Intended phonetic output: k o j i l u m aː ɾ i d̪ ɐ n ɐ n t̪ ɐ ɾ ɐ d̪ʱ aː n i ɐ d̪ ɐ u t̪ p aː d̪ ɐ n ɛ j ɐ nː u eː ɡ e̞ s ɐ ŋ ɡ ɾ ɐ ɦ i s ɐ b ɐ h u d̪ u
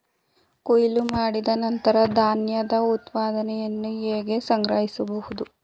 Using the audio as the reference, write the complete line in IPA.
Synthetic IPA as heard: k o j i l u m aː ɽ i d̪ ɐ n ɐ n t̪ ɐ ɾ ɐ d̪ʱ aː n j ɐ d̪ ɐ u t̪ p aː d̪ ɐ n ɛ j ɐ nː u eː ɡ e̞ s ɐ ŋ ɡ ɾ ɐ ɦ i s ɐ b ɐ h u d̪ u